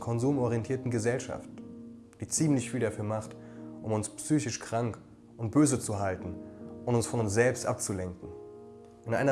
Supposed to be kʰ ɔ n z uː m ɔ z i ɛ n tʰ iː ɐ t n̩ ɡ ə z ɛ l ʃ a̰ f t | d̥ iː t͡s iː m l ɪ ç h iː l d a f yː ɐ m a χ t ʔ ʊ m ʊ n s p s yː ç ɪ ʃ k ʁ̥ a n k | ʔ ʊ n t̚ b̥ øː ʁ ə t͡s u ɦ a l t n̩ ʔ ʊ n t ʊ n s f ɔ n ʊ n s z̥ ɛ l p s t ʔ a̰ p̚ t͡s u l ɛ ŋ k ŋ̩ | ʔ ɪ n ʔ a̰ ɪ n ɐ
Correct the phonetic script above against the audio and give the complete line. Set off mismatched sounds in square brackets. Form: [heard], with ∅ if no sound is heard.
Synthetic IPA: kʰ ɔ n z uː m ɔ [ʁ] i ɛ n tʰ iː ɐ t n̩ ɡ ə z ɛ l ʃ a̰ f t | d̥ iː t͡s iː m l ɪ ç [f] iː l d a f yː ɐ m a χ t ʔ ʊ m ʊ n s p s yː ç ɪ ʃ k ʁ̥ a [ŋ] k | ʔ ʊ n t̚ b̥ øː [z] ə t͡s u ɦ a l t n̩ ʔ ʊ n t ʊ n s f ɔ n ʊ n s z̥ ɛ l p s t ʔ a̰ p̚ t͡s u l ɛ ŋ k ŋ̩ | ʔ ɪ n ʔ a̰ ɪ n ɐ